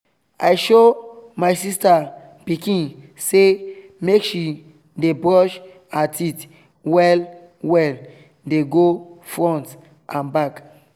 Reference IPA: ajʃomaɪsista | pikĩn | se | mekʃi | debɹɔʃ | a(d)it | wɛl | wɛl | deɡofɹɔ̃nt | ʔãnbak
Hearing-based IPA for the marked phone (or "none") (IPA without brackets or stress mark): t